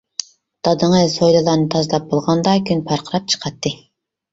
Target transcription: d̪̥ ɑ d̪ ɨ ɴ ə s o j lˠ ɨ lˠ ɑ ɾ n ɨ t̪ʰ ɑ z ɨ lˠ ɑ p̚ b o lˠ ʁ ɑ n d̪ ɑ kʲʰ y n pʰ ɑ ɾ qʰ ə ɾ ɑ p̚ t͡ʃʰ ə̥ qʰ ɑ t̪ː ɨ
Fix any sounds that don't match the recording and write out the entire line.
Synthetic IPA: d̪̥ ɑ d̪ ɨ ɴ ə s o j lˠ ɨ lˠ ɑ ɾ n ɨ t̪ʰ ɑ z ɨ lˠ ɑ p̚ b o lˠ ʁ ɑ n d̪ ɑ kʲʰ y n pʰ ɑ ɾ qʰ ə ɾ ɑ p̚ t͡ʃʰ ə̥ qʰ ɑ t̪ː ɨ